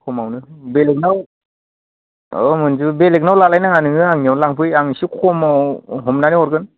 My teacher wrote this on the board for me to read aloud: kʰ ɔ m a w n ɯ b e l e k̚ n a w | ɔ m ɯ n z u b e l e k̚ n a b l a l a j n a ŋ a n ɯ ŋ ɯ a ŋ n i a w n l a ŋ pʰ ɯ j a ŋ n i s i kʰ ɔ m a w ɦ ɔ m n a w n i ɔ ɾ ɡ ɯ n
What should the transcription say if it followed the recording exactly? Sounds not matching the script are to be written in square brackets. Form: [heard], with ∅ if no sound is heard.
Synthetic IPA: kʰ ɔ m a w n ɯ b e l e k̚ n a w | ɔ m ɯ n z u b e l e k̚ n a [w] l a l a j n a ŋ a n ɯ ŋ ɯ a ŋ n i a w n l a ŋ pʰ ɯ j a ŋ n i s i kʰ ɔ m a w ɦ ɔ m n a [∅] n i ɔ ɾ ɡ ɯ n